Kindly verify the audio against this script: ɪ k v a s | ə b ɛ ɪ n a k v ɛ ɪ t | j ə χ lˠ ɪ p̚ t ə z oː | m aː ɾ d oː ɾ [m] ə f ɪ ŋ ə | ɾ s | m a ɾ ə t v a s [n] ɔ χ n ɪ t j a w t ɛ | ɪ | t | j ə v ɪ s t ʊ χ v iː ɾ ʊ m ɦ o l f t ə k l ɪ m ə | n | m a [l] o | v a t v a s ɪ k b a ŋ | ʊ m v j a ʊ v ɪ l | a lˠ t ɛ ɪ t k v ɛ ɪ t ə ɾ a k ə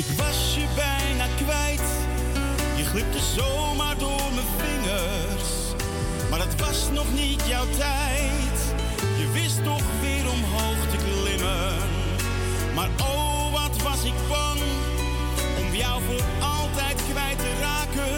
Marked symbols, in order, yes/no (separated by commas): yes, yes, no